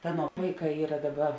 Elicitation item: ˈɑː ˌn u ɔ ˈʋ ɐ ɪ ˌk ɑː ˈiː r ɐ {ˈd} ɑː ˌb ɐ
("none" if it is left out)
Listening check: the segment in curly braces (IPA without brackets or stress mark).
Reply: d